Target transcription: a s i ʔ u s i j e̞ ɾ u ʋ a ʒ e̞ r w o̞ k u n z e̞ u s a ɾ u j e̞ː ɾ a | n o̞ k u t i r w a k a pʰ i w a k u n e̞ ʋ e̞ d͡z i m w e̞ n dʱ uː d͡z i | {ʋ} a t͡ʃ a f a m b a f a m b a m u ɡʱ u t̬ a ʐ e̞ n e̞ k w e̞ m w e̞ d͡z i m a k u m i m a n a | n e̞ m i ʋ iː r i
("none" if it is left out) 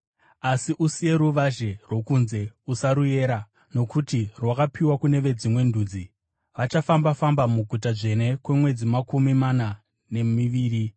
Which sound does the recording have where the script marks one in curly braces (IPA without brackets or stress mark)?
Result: ʋ